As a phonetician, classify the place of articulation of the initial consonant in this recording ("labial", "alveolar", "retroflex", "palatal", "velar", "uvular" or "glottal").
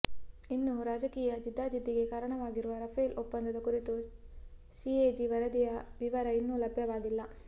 alveolar